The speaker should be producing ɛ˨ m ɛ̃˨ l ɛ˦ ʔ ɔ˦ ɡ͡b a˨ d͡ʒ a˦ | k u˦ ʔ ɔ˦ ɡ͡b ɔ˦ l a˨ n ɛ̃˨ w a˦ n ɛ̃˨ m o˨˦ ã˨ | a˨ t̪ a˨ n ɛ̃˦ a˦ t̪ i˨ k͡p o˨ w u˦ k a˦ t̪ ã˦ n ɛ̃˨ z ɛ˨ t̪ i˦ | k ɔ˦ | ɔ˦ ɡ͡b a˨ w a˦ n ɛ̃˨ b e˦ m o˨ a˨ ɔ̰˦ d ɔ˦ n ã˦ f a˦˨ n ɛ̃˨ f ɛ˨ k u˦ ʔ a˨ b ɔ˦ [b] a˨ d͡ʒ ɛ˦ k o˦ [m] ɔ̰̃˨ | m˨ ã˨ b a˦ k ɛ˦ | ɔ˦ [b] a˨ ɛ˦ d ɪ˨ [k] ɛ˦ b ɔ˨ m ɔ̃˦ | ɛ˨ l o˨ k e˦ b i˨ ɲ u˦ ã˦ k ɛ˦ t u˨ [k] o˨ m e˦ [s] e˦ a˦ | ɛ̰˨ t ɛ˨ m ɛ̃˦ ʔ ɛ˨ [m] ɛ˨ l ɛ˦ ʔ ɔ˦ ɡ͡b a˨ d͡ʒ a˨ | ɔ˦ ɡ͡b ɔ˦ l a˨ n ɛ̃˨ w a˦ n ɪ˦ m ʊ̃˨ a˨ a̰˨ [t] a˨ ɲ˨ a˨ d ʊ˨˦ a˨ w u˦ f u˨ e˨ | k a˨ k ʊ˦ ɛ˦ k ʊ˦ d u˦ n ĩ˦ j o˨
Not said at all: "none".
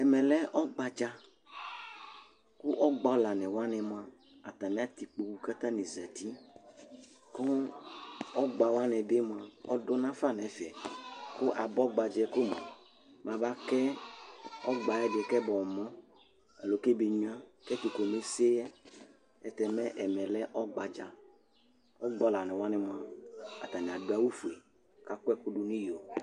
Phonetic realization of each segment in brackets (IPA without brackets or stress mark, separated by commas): ɡ͡b, m, ɡ͡b, k, k, s, m, t